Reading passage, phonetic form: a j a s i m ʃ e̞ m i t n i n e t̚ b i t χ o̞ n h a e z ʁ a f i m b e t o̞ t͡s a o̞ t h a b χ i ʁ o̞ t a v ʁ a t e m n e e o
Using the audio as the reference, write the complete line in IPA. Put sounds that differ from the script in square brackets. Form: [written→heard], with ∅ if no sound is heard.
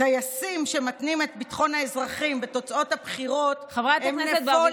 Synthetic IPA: a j a s i m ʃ e̞ m [i→a] t n i [n→m] e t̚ b i t χ o̞ n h a e z ʁ a [f→χ] i m b e t o̞ t͡s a o̞ t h a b χ i ʁ o̞ t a v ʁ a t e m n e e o